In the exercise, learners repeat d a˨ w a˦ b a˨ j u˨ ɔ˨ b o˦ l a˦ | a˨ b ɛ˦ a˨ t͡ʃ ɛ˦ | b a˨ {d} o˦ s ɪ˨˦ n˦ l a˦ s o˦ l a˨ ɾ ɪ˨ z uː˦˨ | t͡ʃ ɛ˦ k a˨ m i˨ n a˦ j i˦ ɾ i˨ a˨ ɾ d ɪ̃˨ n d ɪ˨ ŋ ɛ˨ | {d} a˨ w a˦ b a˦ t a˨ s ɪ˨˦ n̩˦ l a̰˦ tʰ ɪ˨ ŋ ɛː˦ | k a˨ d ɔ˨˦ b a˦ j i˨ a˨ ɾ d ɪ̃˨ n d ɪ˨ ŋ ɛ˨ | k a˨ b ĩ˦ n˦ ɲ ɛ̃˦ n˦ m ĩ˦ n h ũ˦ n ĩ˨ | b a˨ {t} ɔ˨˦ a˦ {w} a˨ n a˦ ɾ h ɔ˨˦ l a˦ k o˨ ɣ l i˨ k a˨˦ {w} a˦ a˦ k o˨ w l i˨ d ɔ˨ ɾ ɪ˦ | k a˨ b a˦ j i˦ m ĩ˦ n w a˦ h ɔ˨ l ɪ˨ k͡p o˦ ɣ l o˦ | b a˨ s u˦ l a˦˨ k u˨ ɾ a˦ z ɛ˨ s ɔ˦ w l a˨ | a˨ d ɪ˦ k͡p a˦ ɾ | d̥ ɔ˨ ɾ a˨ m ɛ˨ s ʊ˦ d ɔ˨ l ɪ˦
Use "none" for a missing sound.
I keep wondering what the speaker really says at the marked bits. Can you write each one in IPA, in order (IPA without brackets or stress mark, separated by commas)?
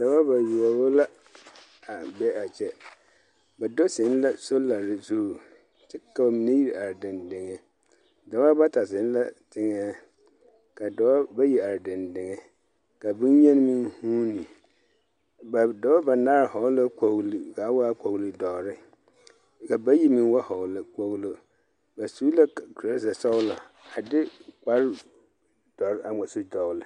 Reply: d, d, d, b, w